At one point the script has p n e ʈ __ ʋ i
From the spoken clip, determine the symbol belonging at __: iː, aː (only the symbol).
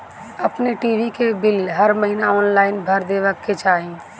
iː